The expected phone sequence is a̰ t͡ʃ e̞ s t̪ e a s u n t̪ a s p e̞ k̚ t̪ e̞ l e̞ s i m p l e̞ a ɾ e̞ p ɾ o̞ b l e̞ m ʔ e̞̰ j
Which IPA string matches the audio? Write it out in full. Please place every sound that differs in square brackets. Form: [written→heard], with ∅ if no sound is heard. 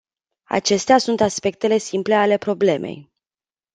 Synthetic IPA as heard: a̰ t͡ʃ e̞ s t̪ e a s u n t̪ a s p e̞ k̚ t̪ e̞ l e̞ s i m p l e̞ a [ɾ→l] e̞ p ɾ o̞ b l e̞ m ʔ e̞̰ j